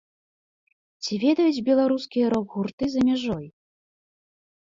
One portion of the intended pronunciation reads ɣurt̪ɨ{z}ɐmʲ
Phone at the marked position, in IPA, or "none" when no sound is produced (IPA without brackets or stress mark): z